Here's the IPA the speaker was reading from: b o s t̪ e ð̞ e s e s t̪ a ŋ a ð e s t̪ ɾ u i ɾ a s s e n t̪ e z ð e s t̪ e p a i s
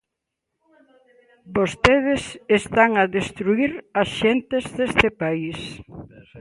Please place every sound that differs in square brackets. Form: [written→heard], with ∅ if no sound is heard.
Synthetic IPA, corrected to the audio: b o s t̪ e ð̞ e s e s t̪ a ŋ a ð e s t̪ ɾ u i ɾ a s [s→ʃ] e n t̪ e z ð e s t̪ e p a i s